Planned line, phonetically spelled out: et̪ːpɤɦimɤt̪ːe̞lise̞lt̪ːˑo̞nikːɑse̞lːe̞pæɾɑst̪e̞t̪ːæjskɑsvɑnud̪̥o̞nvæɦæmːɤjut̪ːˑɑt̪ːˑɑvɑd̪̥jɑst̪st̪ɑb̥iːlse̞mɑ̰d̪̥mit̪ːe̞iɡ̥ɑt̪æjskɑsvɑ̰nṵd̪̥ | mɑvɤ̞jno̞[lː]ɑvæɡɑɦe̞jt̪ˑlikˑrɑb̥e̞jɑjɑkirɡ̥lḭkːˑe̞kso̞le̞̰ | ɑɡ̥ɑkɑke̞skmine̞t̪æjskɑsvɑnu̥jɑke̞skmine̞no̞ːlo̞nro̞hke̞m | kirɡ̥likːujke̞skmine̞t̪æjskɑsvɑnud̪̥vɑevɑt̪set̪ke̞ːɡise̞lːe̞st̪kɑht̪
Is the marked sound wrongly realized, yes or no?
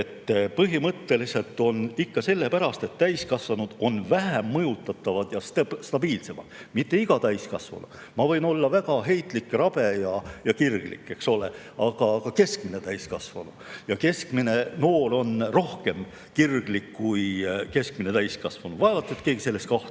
no